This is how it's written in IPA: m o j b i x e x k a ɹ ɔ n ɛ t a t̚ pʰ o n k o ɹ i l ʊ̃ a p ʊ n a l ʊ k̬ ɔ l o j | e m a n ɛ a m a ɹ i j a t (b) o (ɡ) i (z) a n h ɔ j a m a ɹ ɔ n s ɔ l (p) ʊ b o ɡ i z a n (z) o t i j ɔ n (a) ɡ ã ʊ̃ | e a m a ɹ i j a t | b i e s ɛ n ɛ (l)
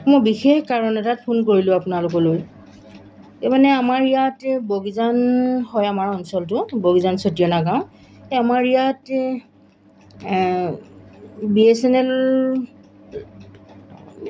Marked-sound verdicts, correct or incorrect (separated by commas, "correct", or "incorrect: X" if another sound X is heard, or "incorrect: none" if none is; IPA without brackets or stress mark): correct, correct, correct, incorrect: t, incorrect: s, correct, correct